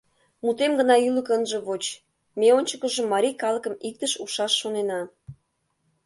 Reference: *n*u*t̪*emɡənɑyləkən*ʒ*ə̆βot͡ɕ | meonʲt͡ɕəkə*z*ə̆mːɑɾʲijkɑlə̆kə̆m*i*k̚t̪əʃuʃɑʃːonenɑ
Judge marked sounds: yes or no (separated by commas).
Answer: no, yes, yes, no, yes